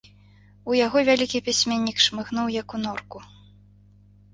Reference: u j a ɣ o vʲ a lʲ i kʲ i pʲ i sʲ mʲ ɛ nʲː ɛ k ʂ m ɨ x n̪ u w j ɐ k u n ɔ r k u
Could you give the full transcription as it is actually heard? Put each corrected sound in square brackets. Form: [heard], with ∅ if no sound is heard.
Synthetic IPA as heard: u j a ɣ [ɔ] vʲ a lʲ i kʲ i pʲ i sʲ mʲ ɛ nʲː [i] k ʂ m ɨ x n̪ u w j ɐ k u n ɔ r k u

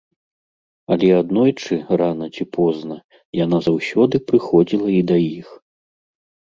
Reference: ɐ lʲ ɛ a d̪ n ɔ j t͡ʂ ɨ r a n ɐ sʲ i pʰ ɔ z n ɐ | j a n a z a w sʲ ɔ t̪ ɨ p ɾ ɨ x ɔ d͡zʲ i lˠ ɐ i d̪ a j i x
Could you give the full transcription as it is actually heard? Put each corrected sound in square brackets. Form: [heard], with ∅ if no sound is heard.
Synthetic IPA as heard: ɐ lʲ ɛ a d̪ n ɔ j t͡ʂ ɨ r a n ɐ [t͡sʲ] i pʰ ɔ z n ɐ | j a n a z a w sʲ ɔ [d̪] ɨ p ɾ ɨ x ɔ d͡zʲ i lˠ ɐ i d̪ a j i x

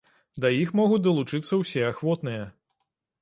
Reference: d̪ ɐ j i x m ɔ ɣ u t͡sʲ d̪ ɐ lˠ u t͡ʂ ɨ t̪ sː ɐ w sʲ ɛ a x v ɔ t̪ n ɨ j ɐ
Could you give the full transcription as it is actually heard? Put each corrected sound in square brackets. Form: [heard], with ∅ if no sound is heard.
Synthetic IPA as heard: d̪ ɐ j i x m ɔ ɣ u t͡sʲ d̪ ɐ lˠ u t͡ʂ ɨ t̪ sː ɐ w sʲ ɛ a x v ɔ t̪ n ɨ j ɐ

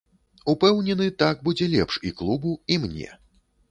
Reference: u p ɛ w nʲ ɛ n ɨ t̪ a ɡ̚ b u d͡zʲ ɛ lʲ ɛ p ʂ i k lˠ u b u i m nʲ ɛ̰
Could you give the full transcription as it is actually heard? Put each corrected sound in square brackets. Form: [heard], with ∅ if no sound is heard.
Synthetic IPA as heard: u p ɛ w nʲ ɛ n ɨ t̪ a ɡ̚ b u d͡zʲ ɛ lʲ ɛ p ʂ i k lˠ u b u i m nʲ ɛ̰

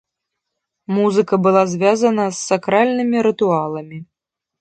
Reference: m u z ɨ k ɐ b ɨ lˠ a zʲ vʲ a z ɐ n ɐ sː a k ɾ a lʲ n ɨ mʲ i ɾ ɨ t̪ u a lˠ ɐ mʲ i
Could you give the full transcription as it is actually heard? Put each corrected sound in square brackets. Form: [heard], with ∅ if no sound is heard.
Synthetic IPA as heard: m u z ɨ k ɐ b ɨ lˠ a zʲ vʲ a z ɐ n ɐ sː a k ɾ a lʲ n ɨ mʲ i ɾ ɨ t̪ u a lˠ ɐ mʲ i

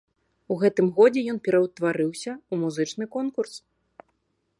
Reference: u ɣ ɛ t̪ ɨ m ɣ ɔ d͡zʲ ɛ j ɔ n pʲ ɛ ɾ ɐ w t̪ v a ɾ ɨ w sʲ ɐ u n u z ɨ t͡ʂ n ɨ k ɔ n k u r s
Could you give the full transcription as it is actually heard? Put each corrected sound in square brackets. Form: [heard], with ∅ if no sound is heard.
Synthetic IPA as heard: u ɣ ɛ t̪ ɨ m ɣ ɔ d͡zʲ ɛ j ɔ n pʲ ɛ ɾ ɐ w t̪ v a ɾ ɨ w sʲ ɐ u [m] u z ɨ t͡ʂ n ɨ k ɔ n k u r s

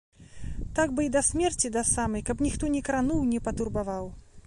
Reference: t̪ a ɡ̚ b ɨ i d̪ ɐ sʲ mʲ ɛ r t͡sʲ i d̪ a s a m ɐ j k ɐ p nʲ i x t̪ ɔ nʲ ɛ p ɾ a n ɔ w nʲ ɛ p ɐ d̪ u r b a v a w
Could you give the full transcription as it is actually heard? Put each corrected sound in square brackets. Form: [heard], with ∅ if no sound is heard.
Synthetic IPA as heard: t̪ a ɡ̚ b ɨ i d̪ ɐ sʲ mʲ ɛ r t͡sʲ i d̪ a s a m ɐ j k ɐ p nʲ i x t̪ ɔ nʲ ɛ [k] ɾ a n [u] w nʲ ɛ p ɐ [t̪] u r b a v a w

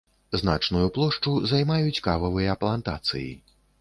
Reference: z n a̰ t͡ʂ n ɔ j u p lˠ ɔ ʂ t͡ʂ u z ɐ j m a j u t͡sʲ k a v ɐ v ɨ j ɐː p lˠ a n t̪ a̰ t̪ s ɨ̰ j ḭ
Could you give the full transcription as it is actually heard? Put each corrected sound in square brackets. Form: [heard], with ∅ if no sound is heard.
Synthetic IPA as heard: z n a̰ t͡ʂ n [u] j u p lˠ ɔ ʂ t͡ʂ u z [a] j m a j u t͡sʲ k a v ɐ v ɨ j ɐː p lˠ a n t̪ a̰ t̪ s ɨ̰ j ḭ

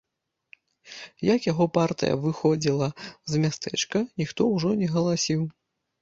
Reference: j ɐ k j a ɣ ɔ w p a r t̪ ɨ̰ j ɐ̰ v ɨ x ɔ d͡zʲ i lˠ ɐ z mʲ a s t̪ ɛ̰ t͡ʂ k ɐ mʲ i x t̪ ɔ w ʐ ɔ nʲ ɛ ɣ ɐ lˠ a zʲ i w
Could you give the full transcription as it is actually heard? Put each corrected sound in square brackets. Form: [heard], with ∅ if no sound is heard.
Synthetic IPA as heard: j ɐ k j a ɣ ɔ [∅] p a r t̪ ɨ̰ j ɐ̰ v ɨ x ɔ d͡zʲ i lˠ ɐ z mʲ a s t̪ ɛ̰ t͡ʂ k ɐ [nʲ] i x t̪ ɔ w ʐ ɔ nʲ ɛ ɣ ɐ lˠ a [sʲ] i w

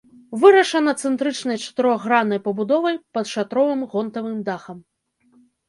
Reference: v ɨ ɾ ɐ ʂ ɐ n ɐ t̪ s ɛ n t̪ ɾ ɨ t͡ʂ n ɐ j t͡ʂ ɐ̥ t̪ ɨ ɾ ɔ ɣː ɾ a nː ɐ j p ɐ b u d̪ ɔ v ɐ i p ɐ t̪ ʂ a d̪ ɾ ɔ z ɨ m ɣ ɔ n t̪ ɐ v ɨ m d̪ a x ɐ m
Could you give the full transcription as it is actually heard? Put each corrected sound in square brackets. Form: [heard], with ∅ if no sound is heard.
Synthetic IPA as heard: v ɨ ɾ ɐ ʂ ɐ n ɐ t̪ s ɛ n t̪ ɾ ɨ t͡ʂ n ɐ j t͡ʂ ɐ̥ t̪ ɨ ɾ ɔ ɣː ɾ a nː ɐ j p ɐ b u d̪ ɔ v ɐ [j] p ɐ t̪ ʂ a [t̪] ɾ ɔ [v] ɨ m ɣ ɔ n t̪ ɐ v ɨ m d̪ a x ɐ m

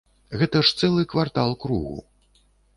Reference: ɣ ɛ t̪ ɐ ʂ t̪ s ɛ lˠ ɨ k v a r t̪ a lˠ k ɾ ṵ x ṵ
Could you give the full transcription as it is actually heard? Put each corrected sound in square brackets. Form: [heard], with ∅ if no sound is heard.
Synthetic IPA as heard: ɣ ɛ t̪ ɐ ʂ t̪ s ɛ lˠ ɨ k v a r t̪ a lˠ k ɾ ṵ [ɣ] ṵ

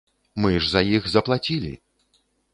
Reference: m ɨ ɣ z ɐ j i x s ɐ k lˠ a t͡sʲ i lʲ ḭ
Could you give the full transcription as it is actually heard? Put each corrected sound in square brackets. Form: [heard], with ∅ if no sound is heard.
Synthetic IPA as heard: m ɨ [ʐ] z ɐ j i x [z] ɐ [p] lˠ a t͡sʲ i lʲ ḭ

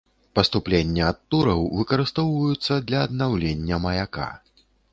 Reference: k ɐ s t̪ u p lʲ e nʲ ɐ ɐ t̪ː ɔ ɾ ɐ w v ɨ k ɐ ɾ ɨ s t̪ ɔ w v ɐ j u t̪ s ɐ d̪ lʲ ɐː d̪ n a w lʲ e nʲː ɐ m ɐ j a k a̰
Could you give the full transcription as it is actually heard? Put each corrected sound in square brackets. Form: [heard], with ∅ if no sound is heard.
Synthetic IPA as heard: [p] ɐ s t̪ u p lʲ e [nʲː] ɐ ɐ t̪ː [u] ɾ ɐ w v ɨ k ɐ ɾ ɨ s t̪ ɔ w v ɐ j u t̪ [sː] ɐ d̪ lʲ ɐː d̪ n a w lʲ e nʲː ɐ m ɐ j a k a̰

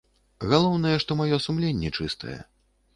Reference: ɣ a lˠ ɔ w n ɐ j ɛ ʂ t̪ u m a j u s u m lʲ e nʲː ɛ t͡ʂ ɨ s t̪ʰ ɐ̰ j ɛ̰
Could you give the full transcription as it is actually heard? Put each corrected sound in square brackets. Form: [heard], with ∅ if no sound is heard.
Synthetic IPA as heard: ɣ a lˠ ɔ w n ɐ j ɛ ʂ t̪ [ɔ] m a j [ɔ] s u m lʲ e nʲː ɛ t͡ʂ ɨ s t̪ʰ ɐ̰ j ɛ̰

